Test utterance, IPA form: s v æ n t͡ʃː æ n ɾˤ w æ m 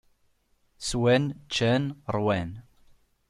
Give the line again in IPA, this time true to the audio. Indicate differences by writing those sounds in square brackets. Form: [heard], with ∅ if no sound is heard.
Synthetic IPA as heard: s [w] æ n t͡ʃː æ n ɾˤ w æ [n]